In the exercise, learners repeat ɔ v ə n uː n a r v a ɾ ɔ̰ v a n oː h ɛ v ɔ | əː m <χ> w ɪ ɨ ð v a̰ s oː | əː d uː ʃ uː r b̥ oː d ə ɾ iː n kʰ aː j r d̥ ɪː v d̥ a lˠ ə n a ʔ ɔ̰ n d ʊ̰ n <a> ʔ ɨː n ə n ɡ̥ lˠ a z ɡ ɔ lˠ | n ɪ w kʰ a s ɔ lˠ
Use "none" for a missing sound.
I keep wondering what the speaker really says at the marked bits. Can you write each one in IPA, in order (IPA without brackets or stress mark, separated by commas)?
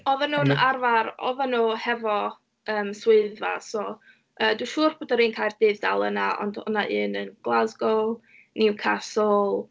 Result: s, a